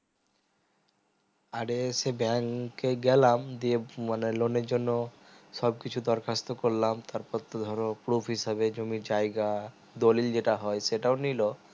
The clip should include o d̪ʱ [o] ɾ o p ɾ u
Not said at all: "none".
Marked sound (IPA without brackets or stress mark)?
ɔ